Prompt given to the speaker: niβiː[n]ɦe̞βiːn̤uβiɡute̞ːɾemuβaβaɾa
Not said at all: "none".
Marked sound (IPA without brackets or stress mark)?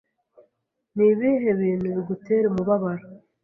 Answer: none